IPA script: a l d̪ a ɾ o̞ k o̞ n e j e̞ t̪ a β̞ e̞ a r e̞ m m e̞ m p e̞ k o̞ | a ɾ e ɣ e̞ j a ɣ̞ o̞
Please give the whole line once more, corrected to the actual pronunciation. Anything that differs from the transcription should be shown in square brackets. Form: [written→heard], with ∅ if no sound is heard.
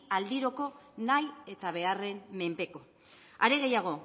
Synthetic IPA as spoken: a l d̪ [a→i] ɾ o̞ k o̞ n [e→a] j e̞ t̪ a β̞ e̞ a r e̞ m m e̞ m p e̞ k o̞ | a ɾ e ɣ e̞ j a ɣ̞ o̞